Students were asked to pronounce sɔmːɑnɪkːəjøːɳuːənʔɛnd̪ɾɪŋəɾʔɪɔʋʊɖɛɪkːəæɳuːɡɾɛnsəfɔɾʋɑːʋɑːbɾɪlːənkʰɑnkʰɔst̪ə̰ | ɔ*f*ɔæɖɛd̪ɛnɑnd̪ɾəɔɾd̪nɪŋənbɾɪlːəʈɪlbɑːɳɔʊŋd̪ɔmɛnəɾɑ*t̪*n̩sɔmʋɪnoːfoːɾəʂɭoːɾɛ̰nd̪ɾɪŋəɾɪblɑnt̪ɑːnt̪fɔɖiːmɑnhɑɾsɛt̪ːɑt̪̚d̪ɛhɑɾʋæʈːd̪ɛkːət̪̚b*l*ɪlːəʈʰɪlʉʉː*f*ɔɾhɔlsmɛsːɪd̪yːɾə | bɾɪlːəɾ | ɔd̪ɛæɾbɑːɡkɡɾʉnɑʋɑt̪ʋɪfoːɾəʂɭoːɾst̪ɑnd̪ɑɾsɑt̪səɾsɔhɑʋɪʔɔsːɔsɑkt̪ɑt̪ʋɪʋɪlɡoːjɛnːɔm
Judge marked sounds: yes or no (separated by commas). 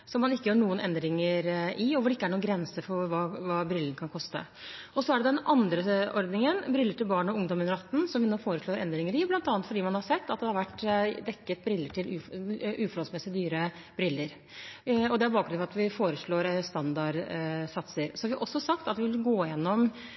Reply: no, yes, no, yes